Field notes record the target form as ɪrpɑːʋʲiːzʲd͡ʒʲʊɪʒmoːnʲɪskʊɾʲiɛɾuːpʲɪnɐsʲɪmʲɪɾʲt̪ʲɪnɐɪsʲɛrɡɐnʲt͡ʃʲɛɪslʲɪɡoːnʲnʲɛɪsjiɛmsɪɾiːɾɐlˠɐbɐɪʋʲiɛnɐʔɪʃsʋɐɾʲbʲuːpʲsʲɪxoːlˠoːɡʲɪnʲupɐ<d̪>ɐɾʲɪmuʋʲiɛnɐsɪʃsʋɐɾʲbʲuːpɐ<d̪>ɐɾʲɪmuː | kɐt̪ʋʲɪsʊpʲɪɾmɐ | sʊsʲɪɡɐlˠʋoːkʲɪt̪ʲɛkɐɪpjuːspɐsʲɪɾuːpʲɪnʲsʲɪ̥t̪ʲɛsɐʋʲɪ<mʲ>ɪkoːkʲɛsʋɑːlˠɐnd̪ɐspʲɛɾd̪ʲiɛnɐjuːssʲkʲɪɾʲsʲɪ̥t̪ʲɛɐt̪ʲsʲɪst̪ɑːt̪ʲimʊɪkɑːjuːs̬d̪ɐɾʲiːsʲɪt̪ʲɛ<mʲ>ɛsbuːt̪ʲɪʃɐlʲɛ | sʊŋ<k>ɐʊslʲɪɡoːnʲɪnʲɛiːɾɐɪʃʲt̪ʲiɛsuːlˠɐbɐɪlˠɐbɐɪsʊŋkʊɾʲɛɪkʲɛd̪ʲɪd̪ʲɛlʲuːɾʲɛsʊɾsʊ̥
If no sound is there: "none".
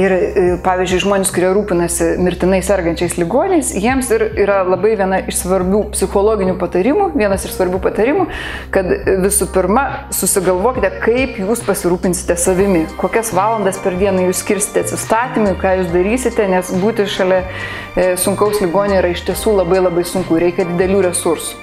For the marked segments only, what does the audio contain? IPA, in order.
t̪, t̪, mʲ, nʲ, k

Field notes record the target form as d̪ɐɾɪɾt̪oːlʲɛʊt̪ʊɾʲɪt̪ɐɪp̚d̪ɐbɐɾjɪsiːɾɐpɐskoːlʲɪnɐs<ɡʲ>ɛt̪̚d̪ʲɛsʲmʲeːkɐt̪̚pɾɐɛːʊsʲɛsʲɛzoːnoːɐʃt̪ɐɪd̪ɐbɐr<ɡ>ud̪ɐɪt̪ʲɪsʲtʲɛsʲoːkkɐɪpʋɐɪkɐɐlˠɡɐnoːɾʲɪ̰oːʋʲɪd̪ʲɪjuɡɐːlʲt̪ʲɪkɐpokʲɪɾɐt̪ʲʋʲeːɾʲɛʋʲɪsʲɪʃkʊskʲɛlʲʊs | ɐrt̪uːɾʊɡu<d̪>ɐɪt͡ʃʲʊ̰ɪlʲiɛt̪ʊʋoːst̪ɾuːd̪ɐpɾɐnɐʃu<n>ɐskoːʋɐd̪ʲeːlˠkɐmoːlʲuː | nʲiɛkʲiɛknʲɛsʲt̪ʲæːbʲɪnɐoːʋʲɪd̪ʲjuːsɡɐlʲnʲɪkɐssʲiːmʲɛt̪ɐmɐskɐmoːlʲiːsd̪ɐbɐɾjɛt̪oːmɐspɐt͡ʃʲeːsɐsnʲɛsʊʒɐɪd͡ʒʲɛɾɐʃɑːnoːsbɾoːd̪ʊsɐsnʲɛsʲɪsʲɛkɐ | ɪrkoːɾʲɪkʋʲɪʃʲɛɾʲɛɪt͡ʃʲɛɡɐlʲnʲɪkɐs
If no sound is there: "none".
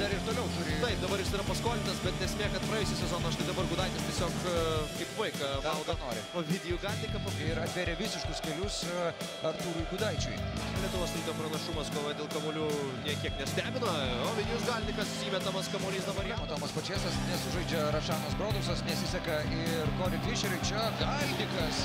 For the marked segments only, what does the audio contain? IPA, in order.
bʲ, ɡ, d̪, m

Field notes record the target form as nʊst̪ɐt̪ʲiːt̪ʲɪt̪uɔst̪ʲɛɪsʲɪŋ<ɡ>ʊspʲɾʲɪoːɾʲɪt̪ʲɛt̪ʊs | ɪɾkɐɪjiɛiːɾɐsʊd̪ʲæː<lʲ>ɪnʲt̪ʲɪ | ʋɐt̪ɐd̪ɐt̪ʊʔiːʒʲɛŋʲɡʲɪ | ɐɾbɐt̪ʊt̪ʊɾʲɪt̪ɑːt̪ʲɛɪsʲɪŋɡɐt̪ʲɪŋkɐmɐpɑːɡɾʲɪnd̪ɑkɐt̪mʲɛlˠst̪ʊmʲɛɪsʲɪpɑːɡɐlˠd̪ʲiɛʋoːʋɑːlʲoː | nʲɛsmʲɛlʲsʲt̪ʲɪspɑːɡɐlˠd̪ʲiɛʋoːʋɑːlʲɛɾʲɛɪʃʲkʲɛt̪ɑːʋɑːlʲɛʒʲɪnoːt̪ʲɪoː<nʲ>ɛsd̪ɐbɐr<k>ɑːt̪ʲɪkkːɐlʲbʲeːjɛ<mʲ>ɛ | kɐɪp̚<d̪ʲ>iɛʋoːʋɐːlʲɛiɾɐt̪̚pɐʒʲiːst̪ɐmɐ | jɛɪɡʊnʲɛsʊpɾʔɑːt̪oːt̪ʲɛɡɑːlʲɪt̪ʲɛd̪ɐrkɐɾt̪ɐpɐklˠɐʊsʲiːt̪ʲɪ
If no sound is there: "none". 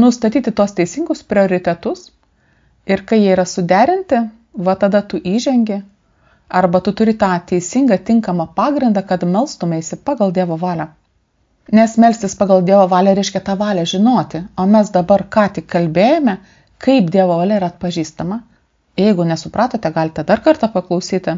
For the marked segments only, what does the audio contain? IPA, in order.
ɡ, ɾʲ, mʲ, k, mʲ, d̪ʲ

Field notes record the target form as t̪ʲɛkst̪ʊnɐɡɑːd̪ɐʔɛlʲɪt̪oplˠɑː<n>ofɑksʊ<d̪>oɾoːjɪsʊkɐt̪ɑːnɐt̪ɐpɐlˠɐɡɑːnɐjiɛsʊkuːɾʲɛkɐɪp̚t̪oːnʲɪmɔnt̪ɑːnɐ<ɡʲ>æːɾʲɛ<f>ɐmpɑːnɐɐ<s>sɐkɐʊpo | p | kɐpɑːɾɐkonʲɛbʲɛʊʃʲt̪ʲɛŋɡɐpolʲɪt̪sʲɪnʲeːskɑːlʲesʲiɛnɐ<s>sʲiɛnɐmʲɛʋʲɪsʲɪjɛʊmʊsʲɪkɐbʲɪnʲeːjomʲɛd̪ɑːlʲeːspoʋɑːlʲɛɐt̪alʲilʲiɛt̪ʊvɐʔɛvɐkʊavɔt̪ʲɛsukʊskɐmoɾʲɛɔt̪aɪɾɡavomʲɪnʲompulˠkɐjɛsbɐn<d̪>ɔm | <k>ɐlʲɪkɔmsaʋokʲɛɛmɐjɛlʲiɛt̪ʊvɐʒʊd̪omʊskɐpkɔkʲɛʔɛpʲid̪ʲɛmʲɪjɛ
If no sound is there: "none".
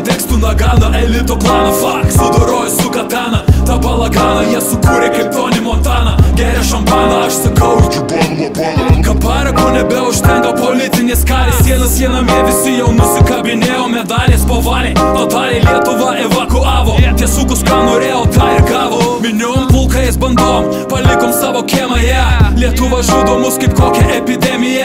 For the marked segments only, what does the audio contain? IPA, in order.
n, d̪, ɡʲ, ʃ, ʃ, s, d̪, p

